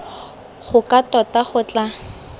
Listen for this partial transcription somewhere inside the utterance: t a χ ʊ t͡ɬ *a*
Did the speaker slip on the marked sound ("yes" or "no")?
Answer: no